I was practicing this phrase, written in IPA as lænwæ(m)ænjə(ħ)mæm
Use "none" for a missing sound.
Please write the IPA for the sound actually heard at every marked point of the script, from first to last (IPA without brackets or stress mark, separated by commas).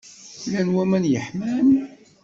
m, ħ